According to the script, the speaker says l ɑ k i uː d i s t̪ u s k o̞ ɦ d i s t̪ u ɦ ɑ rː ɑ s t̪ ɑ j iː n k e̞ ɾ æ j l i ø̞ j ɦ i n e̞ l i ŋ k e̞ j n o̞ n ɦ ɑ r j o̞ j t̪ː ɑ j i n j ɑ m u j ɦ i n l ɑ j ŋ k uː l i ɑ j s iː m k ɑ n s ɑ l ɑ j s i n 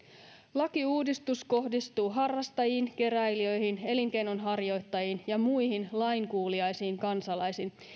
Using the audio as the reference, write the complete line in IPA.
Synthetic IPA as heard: l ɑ k i uː d i s t̪ u s k o̞ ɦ d i s t̪ uː ɦ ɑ rː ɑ s t̪ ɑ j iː n k e̞ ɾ æ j l i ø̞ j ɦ i n e̞ l i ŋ k e̞ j n o̞ n ɦ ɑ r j o̞ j t̪ː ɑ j i n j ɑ m u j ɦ i n l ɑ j ŋ k uː l i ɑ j s iː ŋ k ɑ n s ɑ l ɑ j s i n